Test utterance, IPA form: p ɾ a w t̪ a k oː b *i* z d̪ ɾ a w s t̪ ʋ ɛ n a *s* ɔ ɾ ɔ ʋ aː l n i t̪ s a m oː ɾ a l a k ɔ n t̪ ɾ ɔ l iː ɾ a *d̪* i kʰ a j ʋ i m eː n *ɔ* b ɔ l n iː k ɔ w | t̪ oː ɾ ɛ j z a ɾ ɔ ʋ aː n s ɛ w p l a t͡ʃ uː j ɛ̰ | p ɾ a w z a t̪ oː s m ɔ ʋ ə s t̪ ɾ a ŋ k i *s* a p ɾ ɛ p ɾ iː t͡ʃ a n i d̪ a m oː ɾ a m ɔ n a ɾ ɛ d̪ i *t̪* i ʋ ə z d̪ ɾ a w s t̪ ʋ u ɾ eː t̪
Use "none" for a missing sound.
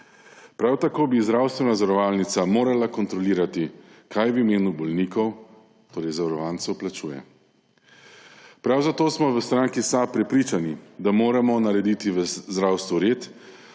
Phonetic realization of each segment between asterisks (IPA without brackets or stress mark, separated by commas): i, z, t̪, u, s, t̪